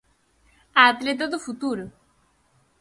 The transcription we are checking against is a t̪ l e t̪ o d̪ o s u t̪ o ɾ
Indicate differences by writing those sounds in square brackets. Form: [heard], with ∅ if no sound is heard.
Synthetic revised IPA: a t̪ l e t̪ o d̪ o [f] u t̪ [u] ɾ

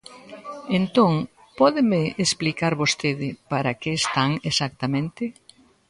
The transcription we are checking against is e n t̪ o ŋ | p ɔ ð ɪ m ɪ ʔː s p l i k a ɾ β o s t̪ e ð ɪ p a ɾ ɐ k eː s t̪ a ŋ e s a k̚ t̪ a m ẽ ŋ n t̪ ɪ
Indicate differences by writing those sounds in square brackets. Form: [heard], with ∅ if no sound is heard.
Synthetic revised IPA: e n t̪ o ŋ | p ɔ ð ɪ m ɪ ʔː s p l i k a ɾ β o s t̪ e ð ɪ p a ɾ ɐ k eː s t̪ a ŋ e s a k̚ t̪ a m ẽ [∅] n t̪ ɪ

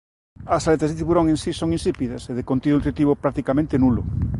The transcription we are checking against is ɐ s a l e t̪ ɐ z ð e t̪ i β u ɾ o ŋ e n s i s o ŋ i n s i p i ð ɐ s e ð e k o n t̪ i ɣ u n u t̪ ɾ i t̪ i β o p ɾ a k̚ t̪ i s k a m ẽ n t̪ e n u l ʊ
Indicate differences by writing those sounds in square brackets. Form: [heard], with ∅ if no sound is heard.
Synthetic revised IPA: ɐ s a l e t̪ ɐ z ð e t̪ i β u ɾ o ŋ e n s i s o ŋ i n s i p i ð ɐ s e ð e k o n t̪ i [ð] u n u t̪ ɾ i t̪ i β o p ɾ a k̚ t̪ i [∅] k a m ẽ n t̪ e n u l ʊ

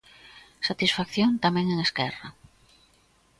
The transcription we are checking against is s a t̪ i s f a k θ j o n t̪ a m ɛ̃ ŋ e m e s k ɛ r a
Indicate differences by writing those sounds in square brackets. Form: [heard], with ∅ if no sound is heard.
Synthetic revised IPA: s a t̪ i s f a k θ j o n t̪ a m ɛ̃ ŋ e [ŋ] e s k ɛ r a

